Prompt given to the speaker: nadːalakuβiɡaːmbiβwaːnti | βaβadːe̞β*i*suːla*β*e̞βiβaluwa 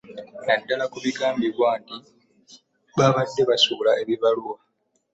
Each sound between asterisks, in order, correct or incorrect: incorrect, incorrect

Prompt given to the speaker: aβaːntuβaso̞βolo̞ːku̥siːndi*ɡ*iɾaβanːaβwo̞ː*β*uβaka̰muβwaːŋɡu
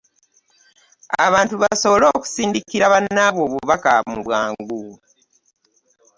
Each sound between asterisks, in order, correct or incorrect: incorrect, correct

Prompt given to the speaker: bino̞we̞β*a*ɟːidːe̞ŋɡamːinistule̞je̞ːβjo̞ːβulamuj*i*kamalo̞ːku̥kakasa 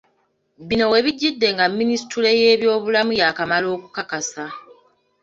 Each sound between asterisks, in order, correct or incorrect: incorrect, incorrect

